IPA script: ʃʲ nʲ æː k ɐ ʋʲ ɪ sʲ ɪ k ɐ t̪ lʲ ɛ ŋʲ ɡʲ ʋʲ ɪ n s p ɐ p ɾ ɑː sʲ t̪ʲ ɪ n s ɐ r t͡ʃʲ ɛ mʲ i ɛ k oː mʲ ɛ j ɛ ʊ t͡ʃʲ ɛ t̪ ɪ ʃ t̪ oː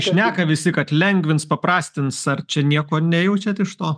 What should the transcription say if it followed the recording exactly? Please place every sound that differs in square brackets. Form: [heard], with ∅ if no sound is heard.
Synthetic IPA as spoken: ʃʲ nʲ æː k ɐ ʋʲ ɪ sʲ ɪ k ɐ t̪ lʲ ɛ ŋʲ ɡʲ ʋʲ ɪ n s p ɐ p ɾ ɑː sʲ t̪ʲ ɪ n s ɐ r t͡ʃʲ ɛ [nʲ] i ɛ k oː [nʲ] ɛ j ɛ ʊ t͡ʃʲ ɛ t̪ ɪ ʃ t̪ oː